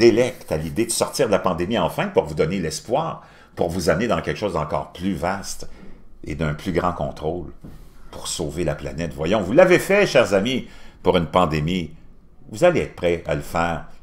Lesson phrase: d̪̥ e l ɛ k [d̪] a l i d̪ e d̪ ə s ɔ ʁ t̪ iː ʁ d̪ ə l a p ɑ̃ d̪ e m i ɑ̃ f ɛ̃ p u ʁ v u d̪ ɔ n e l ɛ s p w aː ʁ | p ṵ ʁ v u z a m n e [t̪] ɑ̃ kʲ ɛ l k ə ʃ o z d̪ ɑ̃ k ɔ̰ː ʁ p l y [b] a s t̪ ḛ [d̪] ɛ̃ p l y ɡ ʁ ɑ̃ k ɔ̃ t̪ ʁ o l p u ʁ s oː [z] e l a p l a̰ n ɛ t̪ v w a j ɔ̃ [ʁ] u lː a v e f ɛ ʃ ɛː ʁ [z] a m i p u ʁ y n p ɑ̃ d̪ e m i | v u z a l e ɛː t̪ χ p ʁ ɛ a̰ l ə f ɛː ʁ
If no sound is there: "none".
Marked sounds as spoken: t̪, d̪, v, d̪, v, v, z

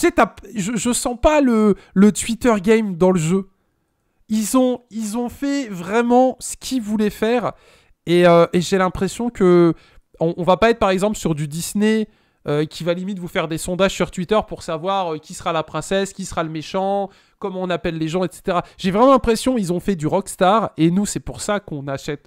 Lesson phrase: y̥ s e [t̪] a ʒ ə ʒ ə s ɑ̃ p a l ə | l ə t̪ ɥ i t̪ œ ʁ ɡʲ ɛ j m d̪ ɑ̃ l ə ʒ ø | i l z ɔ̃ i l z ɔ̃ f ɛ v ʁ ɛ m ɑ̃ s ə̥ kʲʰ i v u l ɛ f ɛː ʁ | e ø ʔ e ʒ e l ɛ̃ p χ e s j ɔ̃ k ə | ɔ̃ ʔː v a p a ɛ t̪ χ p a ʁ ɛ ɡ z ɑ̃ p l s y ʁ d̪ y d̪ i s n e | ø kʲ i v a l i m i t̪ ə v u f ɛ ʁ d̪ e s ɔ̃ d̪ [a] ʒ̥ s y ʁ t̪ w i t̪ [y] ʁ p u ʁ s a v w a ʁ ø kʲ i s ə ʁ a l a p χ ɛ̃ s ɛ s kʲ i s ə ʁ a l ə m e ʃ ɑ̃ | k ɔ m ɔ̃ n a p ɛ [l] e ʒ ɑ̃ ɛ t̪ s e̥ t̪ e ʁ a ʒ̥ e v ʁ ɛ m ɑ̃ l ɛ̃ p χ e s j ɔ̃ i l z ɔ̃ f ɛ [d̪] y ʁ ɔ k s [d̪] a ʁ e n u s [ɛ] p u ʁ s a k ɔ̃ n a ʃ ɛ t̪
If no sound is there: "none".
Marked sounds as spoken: t̪, a, œ, lː, d̪, t̪, ɛ

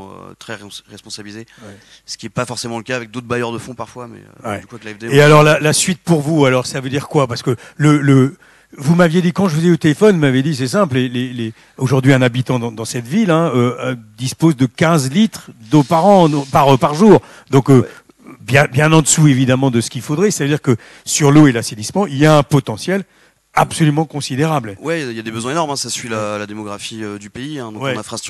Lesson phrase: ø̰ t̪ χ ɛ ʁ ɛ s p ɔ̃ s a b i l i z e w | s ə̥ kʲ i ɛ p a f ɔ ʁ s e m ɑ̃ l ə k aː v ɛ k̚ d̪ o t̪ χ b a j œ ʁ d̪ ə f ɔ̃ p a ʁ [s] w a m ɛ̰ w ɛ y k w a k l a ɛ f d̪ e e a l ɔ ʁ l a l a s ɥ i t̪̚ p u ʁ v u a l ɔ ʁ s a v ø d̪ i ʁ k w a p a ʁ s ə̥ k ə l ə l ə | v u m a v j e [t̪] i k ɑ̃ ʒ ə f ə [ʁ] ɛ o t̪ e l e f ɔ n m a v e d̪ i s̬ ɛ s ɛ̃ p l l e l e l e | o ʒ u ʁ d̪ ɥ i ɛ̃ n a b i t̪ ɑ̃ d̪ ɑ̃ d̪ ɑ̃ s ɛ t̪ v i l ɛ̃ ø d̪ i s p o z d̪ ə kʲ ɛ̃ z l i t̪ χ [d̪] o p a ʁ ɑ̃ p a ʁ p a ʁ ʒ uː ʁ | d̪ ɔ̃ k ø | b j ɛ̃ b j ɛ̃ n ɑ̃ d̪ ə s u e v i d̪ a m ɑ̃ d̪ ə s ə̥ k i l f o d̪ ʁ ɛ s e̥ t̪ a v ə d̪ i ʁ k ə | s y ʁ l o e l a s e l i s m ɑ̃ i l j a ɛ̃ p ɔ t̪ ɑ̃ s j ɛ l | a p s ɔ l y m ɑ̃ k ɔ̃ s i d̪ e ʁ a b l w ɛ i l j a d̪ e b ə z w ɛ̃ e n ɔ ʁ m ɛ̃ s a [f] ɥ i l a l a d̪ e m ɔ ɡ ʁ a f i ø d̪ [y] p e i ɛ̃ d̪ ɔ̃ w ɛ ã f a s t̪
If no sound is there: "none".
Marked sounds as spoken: f, d̪, z, d̪, s, y

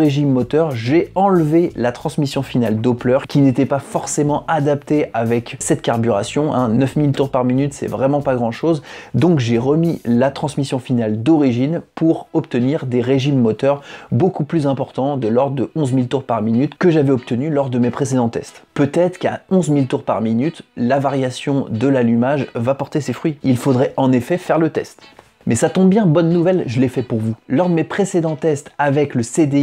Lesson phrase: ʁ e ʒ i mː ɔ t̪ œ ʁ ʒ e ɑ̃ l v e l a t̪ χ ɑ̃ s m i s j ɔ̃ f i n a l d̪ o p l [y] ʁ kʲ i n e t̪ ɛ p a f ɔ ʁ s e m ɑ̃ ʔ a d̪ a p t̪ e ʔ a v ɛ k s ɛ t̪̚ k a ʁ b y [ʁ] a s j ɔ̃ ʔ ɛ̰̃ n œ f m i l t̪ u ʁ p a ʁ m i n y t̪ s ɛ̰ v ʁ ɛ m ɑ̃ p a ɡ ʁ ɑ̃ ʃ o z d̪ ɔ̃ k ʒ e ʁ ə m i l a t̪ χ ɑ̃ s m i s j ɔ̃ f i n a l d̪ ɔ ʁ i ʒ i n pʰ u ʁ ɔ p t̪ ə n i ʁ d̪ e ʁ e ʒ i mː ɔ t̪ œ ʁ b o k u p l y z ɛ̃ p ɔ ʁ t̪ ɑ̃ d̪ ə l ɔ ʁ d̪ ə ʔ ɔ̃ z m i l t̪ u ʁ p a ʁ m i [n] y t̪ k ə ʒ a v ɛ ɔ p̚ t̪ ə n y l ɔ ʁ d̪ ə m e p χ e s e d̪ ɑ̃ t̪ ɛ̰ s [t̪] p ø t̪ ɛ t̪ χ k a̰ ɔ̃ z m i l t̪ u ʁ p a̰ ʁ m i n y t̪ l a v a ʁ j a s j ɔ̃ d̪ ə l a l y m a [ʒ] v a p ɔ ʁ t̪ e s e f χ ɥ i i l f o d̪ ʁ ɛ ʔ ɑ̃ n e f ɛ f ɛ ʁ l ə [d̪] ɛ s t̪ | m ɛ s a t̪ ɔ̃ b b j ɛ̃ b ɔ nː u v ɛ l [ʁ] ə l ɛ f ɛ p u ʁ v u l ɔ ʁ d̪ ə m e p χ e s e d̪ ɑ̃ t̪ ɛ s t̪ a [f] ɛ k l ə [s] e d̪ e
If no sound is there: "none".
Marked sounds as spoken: œ, ʁ, n, t̪, ʒ, t̪, ʒ, v, s

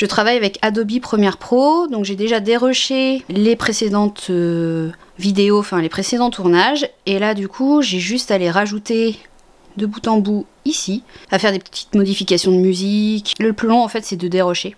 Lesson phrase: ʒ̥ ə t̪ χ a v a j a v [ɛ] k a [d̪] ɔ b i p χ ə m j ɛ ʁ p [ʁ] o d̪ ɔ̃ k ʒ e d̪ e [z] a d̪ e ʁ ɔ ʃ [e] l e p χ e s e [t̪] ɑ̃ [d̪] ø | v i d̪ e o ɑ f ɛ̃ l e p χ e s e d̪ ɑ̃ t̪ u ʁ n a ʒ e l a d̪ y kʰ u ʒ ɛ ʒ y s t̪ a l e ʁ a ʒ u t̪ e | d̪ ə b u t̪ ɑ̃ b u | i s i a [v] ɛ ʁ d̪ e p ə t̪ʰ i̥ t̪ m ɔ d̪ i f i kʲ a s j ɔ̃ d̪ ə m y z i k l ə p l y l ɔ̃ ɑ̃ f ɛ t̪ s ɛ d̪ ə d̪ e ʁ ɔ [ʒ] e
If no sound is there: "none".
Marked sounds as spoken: ɛ, d̪, χ, ʒ, e, d̪, t̪, f, ʃ

